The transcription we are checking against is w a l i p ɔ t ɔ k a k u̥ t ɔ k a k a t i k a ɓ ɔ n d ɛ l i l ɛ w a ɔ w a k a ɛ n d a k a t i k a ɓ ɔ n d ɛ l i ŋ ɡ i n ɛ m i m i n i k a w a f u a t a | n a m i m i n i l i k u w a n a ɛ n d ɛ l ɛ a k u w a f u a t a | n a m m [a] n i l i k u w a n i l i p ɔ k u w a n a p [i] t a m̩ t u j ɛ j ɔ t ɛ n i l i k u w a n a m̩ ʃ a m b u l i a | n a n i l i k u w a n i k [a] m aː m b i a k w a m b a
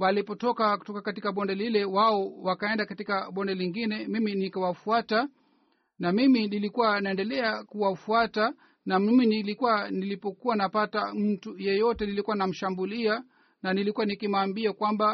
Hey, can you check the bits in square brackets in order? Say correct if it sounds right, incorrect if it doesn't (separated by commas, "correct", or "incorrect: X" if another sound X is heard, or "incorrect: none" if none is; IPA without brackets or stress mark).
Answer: incorrect: i, incorrect: a, incorrect: i